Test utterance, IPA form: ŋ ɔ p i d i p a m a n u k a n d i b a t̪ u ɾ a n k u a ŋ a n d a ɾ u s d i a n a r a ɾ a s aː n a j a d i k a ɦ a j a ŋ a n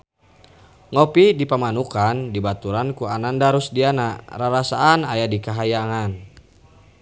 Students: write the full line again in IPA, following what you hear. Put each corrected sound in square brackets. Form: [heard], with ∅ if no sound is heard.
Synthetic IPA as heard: ŋ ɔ p i d i p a m a n u k a n d i b a t̪ u ɾ a n k u a [n] a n d a ɾ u s d i a n a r a ɾ a s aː n a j a d i k a ɦ a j a ŋ a n